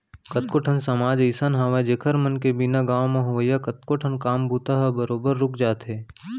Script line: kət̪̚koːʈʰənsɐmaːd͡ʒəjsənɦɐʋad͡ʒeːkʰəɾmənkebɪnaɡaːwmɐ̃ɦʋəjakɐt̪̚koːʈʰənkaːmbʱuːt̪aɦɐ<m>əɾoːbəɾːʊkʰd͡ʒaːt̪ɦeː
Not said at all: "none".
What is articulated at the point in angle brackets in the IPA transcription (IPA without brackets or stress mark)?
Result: b